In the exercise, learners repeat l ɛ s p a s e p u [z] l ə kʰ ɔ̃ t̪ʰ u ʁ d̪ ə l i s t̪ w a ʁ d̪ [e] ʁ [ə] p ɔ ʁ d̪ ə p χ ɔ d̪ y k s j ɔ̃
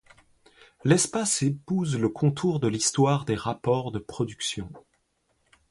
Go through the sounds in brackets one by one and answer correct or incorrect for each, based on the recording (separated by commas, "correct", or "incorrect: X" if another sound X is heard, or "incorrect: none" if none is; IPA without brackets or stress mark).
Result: correct, correct, incorrect: a